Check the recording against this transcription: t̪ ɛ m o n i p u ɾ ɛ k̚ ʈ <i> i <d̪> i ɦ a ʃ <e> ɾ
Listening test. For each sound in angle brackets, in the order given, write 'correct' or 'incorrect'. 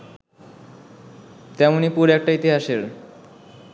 incorrect, incorrect, correct

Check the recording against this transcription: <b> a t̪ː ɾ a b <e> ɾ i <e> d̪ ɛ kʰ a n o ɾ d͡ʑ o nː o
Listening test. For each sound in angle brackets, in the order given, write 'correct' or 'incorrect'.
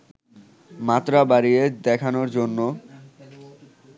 incorrect, incorrect, correct

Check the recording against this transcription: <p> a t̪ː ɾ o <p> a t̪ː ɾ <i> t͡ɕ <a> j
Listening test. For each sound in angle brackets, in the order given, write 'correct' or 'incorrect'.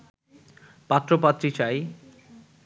correct, correct, correct, correct

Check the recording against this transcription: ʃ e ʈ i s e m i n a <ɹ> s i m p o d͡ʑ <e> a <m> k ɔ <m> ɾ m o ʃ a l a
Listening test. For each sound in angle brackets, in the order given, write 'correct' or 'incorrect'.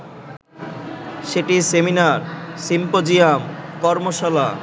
incorrect, incorrect, correct, incorrect

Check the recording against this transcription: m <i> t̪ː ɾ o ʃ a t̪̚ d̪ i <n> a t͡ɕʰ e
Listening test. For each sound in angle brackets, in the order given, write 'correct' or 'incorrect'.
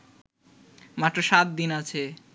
incorrect, correct

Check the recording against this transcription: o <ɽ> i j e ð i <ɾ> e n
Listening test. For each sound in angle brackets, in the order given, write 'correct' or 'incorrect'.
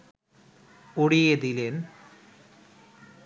correct, incorrect

